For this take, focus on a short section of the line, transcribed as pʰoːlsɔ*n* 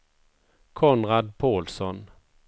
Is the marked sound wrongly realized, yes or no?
no